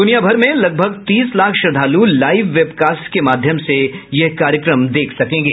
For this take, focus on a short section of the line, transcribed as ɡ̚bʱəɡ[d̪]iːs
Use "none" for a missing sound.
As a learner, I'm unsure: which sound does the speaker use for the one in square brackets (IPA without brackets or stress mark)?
t̪